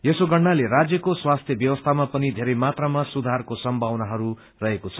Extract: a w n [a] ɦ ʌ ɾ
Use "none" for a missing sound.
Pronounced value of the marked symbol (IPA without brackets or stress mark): a